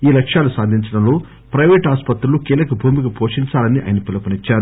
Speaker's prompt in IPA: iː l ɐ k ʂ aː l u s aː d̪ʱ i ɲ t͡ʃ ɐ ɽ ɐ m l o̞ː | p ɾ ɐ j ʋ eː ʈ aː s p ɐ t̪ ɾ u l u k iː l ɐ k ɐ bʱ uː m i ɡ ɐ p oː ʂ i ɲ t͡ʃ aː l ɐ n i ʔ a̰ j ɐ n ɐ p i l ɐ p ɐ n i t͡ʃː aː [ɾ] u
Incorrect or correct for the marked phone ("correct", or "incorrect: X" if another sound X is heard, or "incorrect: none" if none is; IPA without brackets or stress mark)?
correct